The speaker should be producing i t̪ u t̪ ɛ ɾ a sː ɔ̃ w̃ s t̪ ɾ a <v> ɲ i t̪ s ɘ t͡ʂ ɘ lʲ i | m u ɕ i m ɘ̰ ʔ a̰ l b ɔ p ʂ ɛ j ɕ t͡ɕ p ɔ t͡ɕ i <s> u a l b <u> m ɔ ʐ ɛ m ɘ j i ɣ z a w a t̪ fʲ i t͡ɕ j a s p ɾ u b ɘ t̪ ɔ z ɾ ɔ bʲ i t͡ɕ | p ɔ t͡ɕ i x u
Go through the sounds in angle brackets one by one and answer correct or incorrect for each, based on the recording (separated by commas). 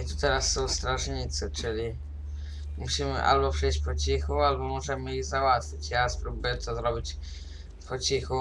incorrect, incorrect, incorrect